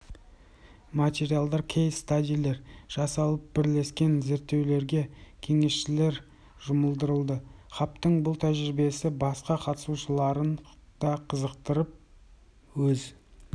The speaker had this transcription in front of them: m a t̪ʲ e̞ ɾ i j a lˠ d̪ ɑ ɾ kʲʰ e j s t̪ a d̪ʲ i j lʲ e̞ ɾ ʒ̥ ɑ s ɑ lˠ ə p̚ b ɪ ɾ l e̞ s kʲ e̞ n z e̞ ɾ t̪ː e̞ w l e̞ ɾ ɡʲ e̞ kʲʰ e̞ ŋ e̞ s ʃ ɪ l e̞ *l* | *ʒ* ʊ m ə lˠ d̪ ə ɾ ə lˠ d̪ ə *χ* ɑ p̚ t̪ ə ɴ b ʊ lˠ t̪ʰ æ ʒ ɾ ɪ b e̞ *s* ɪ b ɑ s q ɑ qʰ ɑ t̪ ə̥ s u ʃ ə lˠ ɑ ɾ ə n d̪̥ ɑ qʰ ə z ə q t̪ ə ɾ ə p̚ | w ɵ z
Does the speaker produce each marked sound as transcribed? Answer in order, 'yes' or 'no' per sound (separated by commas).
no, yes, yes, yes